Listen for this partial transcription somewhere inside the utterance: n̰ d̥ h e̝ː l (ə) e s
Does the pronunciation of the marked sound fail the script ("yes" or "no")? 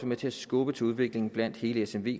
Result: no